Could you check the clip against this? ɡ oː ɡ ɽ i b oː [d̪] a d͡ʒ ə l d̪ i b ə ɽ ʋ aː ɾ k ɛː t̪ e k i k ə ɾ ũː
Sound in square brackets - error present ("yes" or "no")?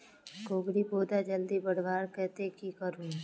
no